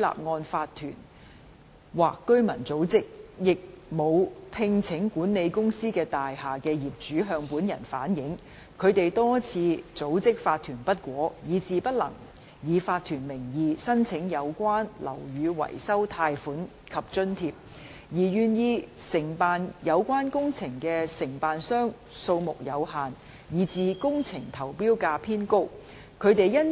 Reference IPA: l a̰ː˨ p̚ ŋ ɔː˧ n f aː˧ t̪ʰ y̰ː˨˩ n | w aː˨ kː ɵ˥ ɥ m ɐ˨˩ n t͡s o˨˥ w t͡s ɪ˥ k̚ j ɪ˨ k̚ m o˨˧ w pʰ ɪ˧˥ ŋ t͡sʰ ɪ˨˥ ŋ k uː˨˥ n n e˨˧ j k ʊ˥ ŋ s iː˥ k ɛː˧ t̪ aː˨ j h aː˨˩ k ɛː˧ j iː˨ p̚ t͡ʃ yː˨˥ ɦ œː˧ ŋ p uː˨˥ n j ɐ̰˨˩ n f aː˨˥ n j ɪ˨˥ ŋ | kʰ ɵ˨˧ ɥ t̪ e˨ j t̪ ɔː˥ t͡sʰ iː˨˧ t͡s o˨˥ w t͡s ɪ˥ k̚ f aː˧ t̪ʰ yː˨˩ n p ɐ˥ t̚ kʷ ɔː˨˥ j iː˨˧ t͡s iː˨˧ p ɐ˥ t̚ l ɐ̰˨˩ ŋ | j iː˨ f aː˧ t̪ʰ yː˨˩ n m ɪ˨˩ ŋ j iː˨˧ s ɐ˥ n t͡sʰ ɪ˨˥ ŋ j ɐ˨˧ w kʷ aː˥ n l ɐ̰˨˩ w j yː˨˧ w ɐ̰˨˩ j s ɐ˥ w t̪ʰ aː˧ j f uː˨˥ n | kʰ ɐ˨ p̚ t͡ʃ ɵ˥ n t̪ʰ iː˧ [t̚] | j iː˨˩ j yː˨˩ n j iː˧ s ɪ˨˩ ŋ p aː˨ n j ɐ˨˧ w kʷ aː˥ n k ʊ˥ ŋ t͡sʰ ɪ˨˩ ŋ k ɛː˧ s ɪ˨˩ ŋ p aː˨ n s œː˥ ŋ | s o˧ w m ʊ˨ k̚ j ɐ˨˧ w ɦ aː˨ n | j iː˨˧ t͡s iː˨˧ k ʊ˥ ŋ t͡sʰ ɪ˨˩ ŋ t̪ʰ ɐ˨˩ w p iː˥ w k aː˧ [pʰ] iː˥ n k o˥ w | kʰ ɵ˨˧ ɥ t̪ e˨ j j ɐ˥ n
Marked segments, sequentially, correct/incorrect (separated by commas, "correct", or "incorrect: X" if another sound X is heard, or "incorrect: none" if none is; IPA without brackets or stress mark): incorrect: p̚, correct